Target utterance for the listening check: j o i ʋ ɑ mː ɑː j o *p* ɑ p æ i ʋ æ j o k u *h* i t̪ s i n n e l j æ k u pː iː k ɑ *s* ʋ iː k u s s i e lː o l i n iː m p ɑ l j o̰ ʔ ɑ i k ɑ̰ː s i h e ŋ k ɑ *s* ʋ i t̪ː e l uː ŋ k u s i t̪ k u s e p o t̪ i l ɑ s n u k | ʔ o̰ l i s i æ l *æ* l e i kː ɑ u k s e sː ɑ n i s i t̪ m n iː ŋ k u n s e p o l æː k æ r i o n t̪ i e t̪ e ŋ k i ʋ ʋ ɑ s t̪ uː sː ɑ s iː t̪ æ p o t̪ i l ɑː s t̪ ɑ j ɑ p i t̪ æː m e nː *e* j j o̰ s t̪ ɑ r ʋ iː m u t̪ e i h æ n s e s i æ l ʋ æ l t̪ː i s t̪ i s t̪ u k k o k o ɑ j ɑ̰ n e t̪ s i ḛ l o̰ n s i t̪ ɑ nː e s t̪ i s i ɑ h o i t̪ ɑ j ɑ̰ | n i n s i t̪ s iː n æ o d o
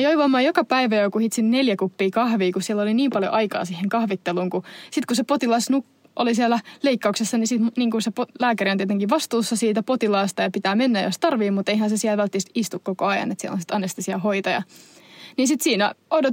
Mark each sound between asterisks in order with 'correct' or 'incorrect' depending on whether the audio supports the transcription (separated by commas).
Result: incorrect, correct, incorrect, incorrect, correct, incorrect